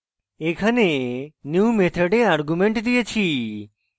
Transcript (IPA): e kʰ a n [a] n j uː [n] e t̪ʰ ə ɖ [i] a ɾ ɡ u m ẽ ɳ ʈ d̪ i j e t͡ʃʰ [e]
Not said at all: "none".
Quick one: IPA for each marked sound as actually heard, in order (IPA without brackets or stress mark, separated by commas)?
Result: e, m, e, i